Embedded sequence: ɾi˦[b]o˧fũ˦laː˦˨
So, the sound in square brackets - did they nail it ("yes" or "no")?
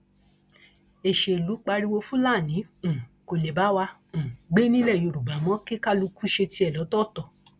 no